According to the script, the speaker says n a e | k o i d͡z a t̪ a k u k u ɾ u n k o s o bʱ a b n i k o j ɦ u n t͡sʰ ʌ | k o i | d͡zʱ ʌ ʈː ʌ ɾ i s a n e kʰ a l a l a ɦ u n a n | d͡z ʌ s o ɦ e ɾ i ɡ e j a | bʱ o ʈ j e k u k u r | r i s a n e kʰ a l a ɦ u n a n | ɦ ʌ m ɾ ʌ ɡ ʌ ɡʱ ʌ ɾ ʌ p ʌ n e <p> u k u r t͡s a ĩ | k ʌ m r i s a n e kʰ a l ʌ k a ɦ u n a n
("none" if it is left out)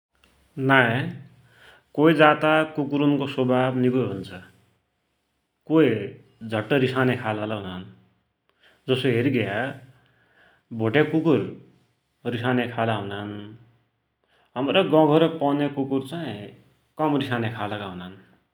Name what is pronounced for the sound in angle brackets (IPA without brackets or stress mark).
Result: k